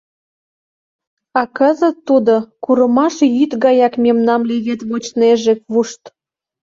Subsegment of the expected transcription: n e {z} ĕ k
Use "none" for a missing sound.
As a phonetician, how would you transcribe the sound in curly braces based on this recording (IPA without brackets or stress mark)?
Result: ʒ